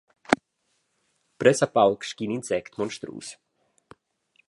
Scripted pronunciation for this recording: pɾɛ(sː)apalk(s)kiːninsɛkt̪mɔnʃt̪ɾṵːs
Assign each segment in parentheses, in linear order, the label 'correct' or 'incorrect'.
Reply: incorrect: s, incorrect: ʃ

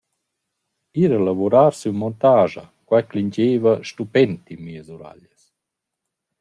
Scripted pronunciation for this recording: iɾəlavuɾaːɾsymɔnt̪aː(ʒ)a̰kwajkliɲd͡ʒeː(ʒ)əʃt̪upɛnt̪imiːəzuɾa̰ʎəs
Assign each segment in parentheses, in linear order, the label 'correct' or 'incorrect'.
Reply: correct, incorrect: v

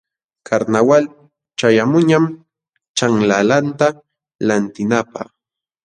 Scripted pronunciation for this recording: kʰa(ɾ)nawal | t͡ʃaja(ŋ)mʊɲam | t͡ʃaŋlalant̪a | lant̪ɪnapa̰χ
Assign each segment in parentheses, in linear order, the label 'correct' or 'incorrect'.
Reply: correct, incorrect: none

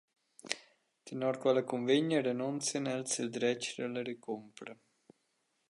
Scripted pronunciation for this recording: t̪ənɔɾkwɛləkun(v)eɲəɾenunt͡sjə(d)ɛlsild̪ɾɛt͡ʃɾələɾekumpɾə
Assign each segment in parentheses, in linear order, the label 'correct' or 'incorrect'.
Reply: correct, incorrect: n

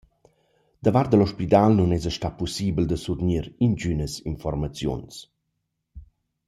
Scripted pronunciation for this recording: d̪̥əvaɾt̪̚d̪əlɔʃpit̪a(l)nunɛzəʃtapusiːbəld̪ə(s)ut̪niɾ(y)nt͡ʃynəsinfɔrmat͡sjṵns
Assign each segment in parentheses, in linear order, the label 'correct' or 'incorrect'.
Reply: correct, correct, incorrect: i

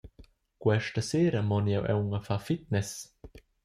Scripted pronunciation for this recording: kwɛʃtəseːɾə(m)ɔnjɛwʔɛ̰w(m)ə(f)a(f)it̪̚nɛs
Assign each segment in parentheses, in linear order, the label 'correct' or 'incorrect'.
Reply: correct, incorrect: ŋ, correct, correct

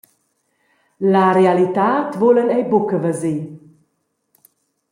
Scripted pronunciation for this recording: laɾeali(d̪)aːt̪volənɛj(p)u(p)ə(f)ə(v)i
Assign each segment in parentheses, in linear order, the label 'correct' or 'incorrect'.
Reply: incorrect: t̪, incorrect: b, incorrect: k, incorrect: v, incorrect: z

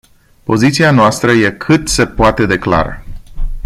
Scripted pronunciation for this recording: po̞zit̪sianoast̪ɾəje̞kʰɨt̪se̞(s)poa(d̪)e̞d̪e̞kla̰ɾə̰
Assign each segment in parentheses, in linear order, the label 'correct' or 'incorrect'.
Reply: incorrect: none, incorrect: t̪

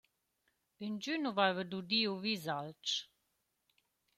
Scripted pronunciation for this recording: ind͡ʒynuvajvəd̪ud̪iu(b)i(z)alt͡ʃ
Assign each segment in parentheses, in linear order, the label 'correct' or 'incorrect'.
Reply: incorrect: v, correct

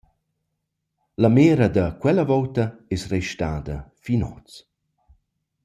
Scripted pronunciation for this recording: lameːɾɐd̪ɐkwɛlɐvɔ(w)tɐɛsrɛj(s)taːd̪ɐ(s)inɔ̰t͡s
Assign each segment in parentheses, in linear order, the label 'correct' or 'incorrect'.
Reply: correct, incorrect: ʃ, incorrect: f

